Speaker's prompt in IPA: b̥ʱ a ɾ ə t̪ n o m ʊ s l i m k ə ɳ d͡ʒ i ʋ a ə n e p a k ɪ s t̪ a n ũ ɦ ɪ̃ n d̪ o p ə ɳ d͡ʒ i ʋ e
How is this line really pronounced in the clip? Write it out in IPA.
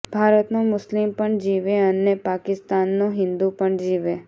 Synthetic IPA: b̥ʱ a ɾ ə t̪ n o m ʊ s l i m p ə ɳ d͡ʒ i ʋ e ə n e p a k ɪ s t̪ a nː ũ ɦ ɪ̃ n d̪ u p ə ɳ d͡ʒ i ʋ e